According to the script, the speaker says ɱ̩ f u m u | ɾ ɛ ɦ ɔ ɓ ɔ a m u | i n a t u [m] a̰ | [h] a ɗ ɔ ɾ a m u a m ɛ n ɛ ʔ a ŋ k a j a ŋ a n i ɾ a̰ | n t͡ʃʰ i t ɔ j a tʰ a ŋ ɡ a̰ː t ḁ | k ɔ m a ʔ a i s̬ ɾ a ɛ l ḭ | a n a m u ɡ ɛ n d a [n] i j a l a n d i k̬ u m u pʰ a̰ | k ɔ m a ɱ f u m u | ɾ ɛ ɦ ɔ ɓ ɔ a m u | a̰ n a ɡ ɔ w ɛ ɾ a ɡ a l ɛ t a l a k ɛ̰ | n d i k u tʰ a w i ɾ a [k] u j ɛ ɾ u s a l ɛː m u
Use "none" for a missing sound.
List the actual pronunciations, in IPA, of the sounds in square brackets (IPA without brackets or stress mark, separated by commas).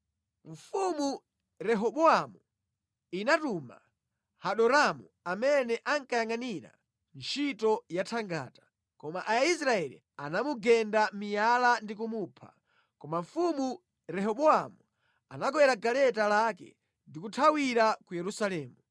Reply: m, h, m, k